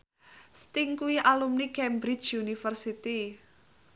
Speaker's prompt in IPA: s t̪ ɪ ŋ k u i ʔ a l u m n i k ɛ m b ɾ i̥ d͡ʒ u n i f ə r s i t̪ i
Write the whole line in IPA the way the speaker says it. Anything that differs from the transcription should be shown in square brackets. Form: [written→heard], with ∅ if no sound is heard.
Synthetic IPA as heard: s t̪ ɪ ŋ k u i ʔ a l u m n i k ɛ m b ɾ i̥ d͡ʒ u n i f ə r s i t̪ i